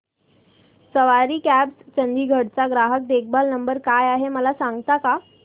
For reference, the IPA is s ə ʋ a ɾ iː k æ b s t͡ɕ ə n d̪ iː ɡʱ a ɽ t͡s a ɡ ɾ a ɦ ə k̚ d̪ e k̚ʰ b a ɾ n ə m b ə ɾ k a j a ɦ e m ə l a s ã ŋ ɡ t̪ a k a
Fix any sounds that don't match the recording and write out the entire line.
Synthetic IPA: s ə ʋ a ɾ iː k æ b s t͡ɕ ə n d̪ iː ɡʱ ə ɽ t͡s a ɡ ɾ a ɦ ə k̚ d̪ e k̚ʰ b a l n ə m b ə ɾ k a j a ɦ e m ə l a s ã ŋ ɡ t̪ a k a